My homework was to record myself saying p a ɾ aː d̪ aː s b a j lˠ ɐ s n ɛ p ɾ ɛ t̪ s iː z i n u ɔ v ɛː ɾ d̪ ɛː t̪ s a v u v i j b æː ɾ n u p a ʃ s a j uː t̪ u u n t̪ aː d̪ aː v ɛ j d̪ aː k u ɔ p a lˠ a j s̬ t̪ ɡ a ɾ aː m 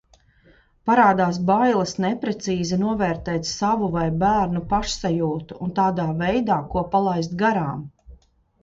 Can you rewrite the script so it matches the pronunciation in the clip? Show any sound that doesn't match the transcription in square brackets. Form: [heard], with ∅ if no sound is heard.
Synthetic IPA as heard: p a ɾ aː d̪ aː s b a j lˠ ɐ s n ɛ p ɾ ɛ t̪ s iː z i n u ɔ v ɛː ɾ [t̪] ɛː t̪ s a v u v [a] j b æː ɾ n u p a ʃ s a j uː t̪ u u n t̪ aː d̪ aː v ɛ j d̪ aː k u ɔ p a lˠ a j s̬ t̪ ɡ a ɾ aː m